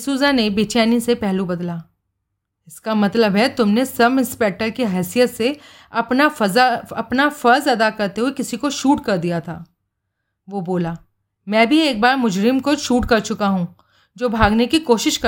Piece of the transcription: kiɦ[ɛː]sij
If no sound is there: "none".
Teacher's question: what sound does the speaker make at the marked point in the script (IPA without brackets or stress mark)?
ɛː